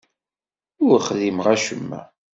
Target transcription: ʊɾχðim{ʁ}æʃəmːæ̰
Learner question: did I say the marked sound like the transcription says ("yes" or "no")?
yes